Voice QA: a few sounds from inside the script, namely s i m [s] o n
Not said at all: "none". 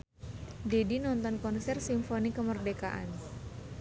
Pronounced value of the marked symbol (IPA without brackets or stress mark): f